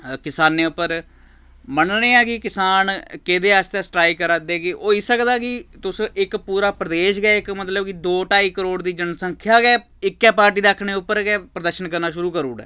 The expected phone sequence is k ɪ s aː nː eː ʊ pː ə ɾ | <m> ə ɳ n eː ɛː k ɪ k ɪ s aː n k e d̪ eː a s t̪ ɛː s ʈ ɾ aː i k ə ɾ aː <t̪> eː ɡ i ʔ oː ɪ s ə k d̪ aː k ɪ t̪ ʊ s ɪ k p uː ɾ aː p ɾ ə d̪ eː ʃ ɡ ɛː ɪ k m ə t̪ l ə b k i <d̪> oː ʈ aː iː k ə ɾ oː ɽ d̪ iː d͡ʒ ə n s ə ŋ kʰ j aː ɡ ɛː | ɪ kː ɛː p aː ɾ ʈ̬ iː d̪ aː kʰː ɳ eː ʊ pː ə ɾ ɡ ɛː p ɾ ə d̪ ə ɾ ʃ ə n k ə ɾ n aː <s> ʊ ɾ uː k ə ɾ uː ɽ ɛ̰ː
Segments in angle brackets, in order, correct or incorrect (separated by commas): correct, incorrect, correct, incorrect